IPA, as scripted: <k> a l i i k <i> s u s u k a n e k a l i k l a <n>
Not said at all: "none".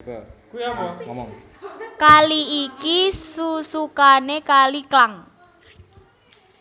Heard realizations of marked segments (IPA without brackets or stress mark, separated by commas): k, i, ŋ